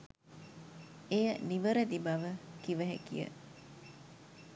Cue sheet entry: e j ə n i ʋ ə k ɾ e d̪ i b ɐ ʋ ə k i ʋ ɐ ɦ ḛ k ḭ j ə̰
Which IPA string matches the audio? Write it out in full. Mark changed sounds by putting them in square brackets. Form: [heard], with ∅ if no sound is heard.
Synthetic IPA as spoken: e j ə n i ʋ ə [∅] ɾ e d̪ i b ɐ ʋ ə k i ʋ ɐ ɦ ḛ k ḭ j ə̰